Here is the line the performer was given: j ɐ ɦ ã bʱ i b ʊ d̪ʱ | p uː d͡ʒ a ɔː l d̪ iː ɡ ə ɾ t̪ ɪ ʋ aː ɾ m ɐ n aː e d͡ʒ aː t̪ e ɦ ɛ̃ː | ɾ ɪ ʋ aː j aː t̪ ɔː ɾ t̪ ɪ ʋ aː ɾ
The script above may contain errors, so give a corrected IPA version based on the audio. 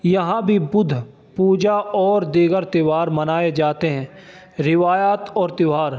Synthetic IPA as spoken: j ɐ ɦ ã bʱ i b ʊ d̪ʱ | p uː d͡ʒ a ɔː ɾ d̪ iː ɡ ə ɾ t̪ ɪ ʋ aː ɾ m ɐ n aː e d͡ʒ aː t̪ e ɦ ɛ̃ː | ɾ ɪ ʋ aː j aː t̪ ɔː ɾ t̪ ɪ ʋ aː ɾ

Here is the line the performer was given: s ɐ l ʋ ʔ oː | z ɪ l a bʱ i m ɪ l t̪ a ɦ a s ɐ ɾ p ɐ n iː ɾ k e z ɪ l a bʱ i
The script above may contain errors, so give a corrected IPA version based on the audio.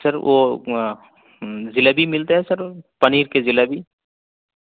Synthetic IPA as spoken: s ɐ ɾ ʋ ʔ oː | z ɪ l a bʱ i m ɪ l t̪ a ɦ ɛ s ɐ ɾ p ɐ n iː ɾ k e z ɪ l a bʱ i

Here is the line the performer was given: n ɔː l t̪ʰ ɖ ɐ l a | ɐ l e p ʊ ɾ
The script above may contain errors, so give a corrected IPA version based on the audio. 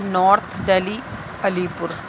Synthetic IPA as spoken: n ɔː ɾ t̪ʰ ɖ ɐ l i | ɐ l i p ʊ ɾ

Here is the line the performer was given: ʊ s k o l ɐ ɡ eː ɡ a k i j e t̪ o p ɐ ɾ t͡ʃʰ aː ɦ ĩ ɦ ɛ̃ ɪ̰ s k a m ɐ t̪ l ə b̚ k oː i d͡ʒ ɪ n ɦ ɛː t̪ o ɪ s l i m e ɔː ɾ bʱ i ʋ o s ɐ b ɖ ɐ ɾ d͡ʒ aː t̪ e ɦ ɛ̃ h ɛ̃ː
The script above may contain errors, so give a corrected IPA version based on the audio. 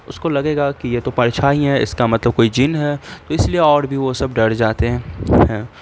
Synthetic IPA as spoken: ʊ s k o l ɐ ɡ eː ɡ a k i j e t̪ o p ɐ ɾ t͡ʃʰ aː ɦ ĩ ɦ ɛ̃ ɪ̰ s k a m ɐ t̪ l ə b̚ k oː i d͡ʒ ɪ n ɦ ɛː t̪ o ɪ s l i e ɔː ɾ bʱ i ʋ o s ɐ b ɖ ɐ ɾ d͡ʒ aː t̪ e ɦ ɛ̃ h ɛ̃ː

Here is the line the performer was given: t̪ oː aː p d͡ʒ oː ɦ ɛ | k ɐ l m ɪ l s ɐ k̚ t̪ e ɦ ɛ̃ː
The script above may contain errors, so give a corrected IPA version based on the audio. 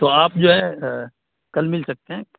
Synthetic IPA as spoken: t̪ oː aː p d͡ʒ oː ɦ ɛ | k ɐ l m ɪ l s ɐ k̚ t̪ e ɦ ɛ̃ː

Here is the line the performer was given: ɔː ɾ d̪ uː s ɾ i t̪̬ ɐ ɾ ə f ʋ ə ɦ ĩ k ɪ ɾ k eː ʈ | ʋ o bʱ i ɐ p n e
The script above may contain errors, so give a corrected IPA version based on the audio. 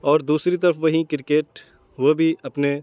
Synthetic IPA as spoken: ɔː ɾ d̪ uː s ɾ i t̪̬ ɐ ɾ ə f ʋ ɐ ɦ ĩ k ɪ ɾ k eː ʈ | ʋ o bʱ i ɐ p n e

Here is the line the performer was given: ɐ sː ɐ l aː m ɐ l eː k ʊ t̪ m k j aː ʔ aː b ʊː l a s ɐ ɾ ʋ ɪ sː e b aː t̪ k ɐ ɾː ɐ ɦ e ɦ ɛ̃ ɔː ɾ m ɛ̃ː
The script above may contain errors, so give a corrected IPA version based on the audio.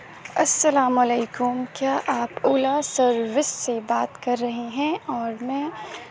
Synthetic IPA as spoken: ɐ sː ɐ l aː m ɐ l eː k ʊ m k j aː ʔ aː p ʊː l a s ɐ ɾ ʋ ɪ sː e b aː t̪ k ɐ ɾː ɐ ɦ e ɦ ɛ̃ ɔː ɾ m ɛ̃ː

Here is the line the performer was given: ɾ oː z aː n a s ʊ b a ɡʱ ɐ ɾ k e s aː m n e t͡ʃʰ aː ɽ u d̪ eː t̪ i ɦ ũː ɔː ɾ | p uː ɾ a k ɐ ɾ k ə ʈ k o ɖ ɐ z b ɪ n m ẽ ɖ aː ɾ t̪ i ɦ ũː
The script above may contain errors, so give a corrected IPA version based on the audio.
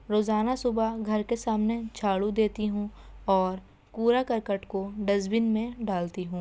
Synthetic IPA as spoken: ɾ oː z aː n a s ʊ b a ɡʱ ɐ ɾ k e s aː m n e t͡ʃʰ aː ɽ u d̪ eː t̪ i ɦ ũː ɔː ɾ | p uː ɾ a k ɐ ɾ k ə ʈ k o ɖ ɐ z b ɪ n m ẽ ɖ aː l t̪ i ɦ ũː

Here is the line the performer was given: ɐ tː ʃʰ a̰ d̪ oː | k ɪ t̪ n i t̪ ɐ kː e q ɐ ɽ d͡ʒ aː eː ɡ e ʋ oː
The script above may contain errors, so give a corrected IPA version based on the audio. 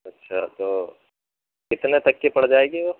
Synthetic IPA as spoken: ɐ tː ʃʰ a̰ t̪ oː | k ɪ t̪ n e t̪ ɐ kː e p ɐ ɽ d͡ʒ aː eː ɡ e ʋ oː

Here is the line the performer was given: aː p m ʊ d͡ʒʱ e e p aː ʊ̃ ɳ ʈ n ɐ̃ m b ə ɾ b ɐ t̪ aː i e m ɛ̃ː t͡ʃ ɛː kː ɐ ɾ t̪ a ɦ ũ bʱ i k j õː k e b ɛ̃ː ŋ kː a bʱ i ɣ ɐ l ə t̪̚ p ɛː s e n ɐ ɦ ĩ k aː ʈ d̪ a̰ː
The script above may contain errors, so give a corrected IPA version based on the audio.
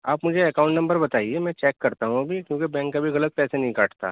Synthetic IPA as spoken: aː p m ʊ d͡ʒʱ e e k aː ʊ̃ ɳ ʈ n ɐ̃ m b ə ɾ b ɐ t̪ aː i e m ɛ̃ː t͡ʃ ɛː kː ɐ ɾ t̪ a ɦ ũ bʱ i k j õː k e b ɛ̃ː ŋ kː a bʱ i ɣ ɐ l ə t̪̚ p ɛː s e n ɐ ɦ ĩ k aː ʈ t̪ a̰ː

